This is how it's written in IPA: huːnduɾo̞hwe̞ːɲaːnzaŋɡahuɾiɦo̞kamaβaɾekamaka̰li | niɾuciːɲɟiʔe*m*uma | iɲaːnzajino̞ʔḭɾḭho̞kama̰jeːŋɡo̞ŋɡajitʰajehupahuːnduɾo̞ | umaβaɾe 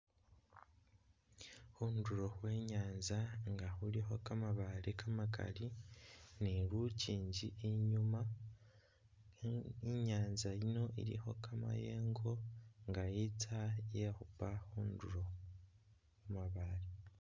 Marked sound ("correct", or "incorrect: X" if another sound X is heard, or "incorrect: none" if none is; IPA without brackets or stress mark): incorrect: ɲ